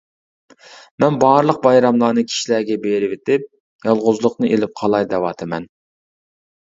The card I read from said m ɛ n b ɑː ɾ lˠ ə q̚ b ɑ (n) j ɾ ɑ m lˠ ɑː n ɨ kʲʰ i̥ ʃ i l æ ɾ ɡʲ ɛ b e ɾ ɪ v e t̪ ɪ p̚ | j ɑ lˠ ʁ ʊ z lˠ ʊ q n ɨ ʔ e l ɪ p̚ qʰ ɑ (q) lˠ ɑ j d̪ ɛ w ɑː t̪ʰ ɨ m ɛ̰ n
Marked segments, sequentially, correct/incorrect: incorrect: none, incorrect: none

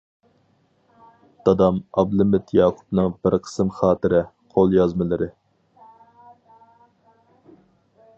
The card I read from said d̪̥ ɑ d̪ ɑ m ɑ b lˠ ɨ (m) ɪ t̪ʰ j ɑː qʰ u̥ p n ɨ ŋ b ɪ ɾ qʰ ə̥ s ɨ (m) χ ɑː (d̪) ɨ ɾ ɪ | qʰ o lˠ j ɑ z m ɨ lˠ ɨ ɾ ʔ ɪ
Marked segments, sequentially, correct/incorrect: correct, correct, incorrect: t̪

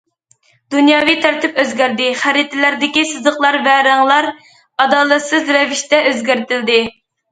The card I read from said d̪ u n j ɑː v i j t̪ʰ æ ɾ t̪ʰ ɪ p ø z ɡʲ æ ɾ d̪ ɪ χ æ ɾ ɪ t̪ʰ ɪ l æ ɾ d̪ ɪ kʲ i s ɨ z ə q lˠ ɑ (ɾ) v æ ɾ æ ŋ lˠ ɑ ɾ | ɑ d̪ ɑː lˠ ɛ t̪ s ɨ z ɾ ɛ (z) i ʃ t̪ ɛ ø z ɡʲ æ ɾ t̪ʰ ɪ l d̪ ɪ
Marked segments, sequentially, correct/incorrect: correct, incorrect: v

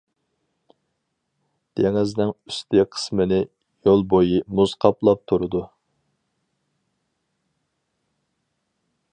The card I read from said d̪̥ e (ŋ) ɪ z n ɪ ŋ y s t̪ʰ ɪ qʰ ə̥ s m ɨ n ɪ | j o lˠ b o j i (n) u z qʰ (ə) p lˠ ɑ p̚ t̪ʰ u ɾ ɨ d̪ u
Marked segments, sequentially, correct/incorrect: correct, incorrect: m, incorrect: ɑ

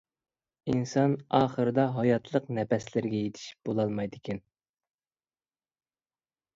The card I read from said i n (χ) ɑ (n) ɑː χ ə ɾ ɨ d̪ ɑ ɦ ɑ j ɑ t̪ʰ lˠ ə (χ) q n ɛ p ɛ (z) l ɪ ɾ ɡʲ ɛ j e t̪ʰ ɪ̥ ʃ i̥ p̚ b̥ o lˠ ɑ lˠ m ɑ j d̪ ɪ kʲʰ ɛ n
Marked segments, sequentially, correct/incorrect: incorrect: s, correct, incorrect: none, incorrect: s

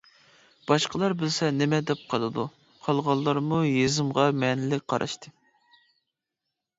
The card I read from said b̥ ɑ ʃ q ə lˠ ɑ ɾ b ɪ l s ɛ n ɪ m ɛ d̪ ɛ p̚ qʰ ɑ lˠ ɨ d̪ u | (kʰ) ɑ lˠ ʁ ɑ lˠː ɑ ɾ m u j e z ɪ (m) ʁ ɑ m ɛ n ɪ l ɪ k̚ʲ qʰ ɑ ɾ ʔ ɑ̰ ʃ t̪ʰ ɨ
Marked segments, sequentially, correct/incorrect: incorrect: qʰ, correct

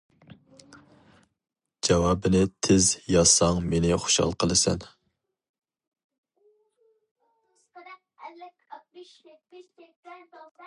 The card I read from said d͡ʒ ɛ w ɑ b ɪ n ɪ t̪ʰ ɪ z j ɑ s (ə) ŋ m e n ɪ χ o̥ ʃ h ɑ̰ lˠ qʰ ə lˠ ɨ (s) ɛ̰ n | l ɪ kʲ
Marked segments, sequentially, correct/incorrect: incorrect: ɑ, correct

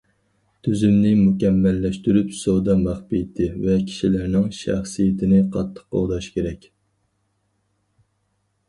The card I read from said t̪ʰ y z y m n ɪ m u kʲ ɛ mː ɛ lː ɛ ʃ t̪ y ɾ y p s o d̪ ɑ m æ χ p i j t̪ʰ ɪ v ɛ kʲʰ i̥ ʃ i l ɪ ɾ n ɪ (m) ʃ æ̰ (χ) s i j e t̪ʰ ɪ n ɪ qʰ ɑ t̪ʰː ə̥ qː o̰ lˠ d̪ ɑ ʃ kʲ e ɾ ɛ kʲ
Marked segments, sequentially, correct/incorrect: incorrect: ŋ, correct

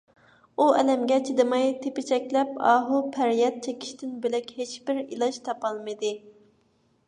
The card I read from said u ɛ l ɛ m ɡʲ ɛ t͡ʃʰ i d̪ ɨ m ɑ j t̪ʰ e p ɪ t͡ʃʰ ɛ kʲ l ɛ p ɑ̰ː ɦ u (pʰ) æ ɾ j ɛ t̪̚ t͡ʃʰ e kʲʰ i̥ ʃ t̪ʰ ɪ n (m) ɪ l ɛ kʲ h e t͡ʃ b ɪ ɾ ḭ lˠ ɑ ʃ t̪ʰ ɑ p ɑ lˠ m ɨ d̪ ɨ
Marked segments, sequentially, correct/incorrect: correct, incorrect: b

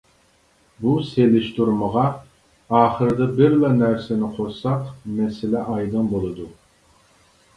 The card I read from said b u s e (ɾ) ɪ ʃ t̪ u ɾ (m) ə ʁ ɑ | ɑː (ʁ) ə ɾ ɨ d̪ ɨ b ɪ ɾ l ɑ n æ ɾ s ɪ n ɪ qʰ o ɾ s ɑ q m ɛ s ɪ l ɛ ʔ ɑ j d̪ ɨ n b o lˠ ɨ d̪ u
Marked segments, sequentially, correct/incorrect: incorrect: l, correct, incorrect: χ

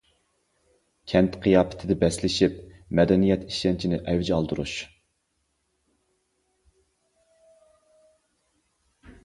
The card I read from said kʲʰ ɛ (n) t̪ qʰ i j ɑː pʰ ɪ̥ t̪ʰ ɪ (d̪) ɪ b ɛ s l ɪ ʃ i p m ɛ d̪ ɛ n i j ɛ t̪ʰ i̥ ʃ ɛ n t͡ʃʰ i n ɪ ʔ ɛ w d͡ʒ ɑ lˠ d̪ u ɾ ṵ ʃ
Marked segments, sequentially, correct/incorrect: correct, correct

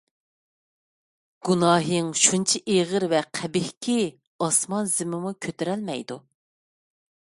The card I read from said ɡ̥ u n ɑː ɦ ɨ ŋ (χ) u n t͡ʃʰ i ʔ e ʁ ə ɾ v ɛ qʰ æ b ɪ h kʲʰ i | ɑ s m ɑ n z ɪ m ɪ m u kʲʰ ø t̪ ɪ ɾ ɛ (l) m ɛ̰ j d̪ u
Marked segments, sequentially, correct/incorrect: incorrect: ʃ, correct

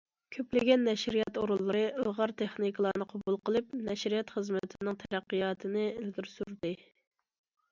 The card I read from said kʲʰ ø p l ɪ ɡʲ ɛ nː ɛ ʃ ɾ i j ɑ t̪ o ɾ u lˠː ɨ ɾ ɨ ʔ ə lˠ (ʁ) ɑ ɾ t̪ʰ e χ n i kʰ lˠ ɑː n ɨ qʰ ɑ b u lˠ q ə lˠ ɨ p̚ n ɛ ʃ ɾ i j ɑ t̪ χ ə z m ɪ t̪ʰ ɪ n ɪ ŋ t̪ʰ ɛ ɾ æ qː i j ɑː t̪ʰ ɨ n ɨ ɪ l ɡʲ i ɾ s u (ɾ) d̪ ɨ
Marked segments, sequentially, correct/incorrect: correct, correct

